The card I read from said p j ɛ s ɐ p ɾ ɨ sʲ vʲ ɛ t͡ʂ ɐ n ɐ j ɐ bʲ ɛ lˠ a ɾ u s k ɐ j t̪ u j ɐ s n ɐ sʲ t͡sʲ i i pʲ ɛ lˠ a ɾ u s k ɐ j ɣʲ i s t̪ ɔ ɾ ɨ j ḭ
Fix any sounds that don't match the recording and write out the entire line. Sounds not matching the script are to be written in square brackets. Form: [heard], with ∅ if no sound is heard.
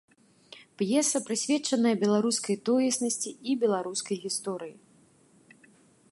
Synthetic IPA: p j ɛ s ɐ p ɾ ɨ sʲ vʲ ɛ t͡ʂ ɐ n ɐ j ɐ bʲ ɛ lˠ a ɾ u s k ɐ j t̪ [ɔ] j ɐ s n ɐ sʲ t͡sʲ i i [bʲ] ɛ lˠ a ɾ u s k ɐ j ɣʲ i s t̪ ɔ ɾ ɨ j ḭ